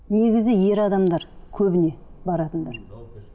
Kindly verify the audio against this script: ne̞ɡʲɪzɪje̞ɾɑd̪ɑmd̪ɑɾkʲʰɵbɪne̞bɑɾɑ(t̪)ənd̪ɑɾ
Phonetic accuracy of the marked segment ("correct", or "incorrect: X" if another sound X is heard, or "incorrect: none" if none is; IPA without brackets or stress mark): correct